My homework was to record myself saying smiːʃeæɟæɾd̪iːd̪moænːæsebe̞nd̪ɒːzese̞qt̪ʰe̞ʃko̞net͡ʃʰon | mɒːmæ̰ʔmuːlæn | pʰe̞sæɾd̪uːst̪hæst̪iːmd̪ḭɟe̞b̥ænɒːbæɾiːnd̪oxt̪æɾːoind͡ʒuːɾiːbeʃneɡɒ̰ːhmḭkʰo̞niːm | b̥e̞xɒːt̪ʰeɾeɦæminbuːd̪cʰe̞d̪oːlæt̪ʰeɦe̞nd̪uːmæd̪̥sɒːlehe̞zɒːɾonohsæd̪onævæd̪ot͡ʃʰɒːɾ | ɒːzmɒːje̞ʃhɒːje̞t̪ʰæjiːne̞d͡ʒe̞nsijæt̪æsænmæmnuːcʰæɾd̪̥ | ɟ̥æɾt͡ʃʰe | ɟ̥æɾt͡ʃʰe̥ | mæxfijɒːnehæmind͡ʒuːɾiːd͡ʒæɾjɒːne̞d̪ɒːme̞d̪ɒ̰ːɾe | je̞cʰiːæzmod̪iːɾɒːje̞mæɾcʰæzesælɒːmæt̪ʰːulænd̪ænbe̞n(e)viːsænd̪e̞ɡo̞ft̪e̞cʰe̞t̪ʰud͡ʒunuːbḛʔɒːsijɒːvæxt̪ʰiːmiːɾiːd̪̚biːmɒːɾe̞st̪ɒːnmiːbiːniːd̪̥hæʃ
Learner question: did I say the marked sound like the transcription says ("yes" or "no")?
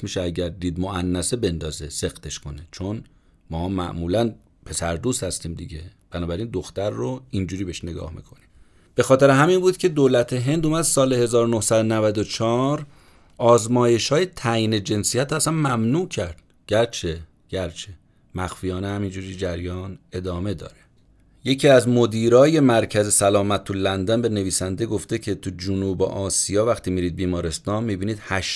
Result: yes